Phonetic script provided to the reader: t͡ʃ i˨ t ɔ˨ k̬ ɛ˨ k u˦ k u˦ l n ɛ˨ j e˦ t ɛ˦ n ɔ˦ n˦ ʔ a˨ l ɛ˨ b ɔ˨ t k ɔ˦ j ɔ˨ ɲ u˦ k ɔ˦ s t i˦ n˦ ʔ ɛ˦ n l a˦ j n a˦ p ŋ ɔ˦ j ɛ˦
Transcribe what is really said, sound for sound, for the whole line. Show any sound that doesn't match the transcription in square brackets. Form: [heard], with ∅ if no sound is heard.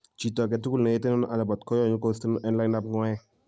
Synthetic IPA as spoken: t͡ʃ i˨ t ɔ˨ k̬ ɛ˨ [t] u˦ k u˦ l n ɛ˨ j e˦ t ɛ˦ n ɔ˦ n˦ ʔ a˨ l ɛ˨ b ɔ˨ t k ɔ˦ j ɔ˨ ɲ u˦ k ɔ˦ s t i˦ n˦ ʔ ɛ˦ n l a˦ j n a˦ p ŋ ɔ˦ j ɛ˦